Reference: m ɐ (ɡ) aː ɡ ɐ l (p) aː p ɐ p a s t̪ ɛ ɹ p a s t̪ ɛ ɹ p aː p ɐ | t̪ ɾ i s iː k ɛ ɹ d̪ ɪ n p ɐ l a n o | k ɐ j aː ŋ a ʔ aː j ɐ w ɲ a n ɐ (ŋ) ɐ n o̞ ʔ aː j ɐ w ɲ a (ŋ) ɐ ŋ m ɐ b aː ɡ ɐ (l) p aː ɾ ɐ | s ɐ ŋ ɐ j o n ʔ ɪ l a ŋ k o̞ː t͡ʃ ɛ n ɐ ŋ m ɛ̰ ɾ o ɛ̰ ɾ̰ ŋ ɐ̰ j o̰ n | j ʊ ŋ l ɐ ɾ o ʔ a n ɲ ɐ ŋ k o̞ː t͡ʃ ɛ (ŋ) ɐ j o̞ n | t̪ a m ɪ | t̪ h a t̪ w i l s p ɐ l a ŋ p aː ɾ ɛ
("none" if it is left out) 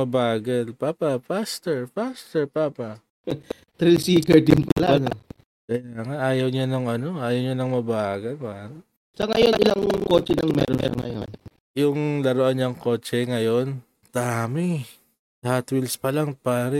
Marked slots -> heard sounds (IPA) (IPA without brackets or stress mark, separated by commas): b, p, ŋ, n, l, ŋ